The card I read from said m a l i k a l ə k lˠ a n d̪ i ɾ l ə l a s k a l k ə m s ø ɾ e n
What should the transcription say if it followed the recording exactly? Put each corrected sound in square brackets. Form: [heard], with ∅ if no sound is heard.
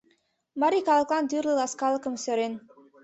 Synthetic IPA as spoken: m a [ɾ] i k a l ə k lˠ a n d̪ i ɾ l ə l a s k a l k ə m s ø ɾ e n